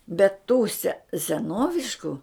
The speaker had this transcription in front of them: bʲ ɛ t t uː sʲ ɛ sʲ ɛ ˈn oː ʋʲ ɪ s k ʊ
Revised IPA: bʲ ɛ t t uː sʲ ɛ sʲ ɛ ˈn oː ʋʲ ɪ ʃ k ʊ

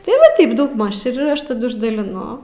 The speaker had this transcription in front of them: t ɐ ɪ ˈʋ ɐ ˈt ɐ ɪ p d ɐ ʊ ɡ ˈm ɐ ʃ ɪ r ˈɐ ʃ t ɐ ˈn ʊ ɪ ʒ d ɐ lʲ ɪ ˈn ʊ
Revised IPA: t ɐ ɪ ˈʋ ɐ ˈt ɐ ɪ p d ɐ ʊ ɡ ˈm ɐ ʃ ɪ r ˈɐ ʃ t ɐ ˈd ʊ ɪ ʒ d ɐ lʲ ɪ ˈn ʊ

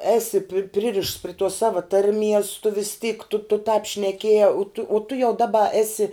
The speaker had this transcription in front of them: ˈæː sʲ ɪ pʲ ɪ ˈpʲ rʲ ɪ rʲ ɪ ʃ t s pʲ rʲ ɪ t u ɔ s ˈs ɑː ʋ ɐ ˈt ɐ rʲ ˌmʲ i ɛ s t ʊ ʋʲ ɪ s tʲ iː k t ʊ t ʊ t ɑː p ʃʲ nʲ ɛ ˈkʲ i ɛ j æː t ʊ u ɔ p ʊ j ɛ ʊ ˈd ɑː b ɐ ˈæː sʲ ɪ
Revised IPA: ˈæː sʲ ɪ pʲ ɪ ˈpʲ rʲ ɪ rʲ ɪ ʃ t s pʲ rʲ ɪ t u ɔ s ˈs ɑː ʋ ɐ ˈt ɐ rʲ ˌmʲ i ɛ s t ʊ ʋʲ ɪ s tʲ iː k t ʊ t ʊ t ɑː p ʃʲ nʲ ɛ ˈkʲ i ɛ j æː t ʊ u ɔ t ʊ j ɛ ʊ ˈd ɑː b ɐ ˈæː sʲ ɪ

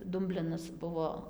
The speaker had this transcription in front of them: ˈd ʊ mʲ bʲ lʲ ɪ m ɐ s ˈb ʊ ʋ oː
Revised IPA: ˈd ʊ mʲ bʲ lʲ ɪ n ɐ s ˈb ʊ ʋ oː

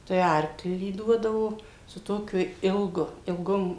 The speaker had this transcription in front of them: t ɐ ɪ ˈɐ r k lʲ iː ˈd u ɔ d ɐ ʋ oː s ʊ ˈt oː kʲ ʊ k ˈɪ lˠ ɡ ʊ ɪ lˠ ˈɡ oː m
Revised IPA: t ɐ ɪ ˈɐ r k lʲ iː ˈd u ɔ d ɐ ʋ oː s ʊ ˈt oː kʲ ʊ ˈɪ lˠ ɡ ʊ ɪ lˠ ˈɡ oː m

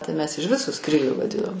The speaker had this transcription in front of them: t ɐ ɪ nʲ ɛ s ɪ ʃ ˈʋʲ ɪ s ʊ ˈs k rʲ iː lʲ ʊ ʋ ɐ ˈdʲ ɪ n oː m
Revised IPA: t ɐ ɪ mʲ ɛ s ɪ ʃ ˈʋʲ ɪ s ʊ ˈs k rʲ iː lʲ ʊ ʋ ɐ ˈdʲ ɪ n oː m

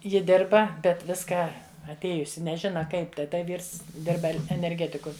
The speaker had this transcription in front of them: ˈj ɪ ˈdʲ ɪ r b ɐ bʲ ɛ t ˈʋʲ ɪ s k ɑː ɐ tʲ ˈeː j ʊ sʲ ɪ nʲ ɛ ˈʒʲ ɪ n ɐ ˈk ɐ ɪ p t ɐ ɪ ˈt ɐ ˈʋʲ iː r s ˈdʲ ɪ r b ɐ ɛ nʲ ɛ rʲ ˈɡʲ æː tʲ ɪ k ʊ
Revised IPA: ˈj ɪ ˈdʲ ɪ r b ɐ bʲ ɛ t ˈʋʲ ɪ s k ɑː ɐ tʲ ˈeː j ʊ sʲ ɪ nʲ ɛ ˈʒʲ ɪ n ɐ ˈk ɐ ɪ p t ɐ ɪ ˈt ɐ ˈʋʲ iː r s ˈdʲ ɪ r b ɐ ɛ nʲ ɛ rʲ ˈɡʲ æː tʲ ɪ k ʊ

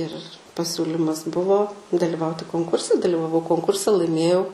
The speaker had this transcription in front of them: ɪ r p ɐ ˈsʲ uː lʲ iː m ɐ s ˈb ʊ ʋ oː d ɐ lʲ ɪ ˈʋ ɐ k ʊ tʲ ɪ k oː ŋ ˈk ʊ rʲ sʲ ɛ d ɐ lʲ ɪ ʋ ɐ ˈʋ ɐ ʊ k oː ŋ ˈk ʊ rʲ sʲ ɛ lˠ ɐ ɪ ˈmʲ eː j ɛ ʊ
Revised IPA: ɪ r p ɐ ˈsʲ uː lʲ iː m ɐ s ˈb ʊ ʋ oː d ɐ lʲ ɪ ˈʋ ɐ ʊ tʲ ɪ k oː ŋ ˈk ʊ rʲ sʲ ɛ d ɐ lʲ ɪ ʋ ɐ ˈʋ ɐ ʊ k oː ŋ ˈk ʊ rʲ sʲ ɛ lˠ ɐ ɪ ˈmʲ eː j ɛ ʊ

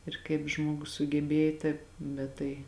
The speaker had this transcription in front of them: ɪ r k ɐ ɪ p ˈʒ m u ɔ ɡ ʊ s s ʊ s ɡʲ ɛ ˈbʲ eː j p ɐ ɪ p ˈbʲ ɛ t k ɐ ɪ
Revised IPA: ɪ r k ɐ ɪ p ˈʒ m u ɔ ɡ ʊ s s ʊ ɡʲ ɛ ˈbʲ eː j t ɐ ɪ p ˈbʲ ɛ t t ɐ ɪ

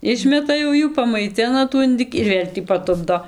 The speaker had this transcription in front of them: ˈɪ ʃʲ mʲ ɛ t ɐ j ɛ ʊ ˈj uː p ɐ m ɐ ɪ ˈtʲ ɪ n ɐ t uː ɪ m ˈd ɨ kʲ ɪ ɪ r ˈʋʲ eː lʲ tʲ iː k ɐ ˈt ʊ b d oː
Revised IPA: ˈɪ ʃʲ mʲ ɛ t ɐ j ɛ ʊ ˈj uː p ɐ m ɐ ɪ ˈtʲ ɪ n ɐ t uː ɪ n ˈd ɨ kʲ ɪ ɪ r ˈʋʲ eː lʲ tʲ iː p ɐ ˈt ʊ b d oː

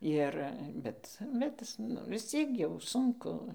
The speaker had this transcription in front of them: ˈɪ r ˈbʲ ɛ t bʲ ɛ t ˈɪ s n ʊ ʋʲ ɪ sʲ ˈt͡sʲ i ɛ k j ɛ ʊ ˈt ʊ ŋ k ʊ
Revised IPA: ˈɪ r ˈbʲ ɛ t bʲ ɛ t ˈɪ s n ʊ ʋʲ ɪ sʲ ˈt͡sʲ i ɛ k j ɛ ʊ ˈs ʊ ŋ k ʊ

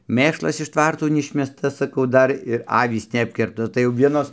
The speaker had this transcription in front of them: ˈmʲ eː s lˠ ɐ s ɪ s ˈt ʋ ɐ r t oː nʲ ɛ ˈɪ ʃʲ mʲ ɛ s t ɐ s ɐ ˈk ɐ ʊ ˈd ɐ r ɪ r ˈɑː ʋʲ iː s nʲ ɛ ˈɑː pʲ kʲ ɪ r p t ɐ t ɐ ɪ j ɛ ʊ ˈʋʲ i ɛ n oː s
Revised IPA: ˈmʲ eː ʃ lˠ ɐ s ɪ ʃ ˈt ʋ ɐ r t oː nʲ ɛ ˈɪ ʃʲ mʲ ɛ s t ɐ s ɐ ˈk ɐ ʊ ˈd ɐ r ɪ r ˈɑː ʋʲ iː s nʲ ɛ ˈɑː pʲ kʲ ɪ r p t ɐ t ɐ ɪ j ɛ ʊ ˈʋʲ i ɛ n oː s

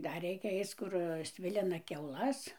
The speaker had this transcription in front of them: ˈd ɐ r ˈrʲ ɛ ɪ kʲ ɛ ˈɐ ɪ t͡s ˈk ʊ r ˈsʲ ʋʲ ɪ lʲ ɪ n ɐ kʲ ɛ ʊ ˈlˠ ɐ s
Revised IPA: ˈd ɐ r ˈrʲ ɛ ɪ kʲ ɛ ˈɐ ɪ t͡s ˈk ʊ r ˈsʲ ʋʲ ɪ lʲ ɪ n ɐ kʲ ɛ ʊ ˈlˠ ɐ s

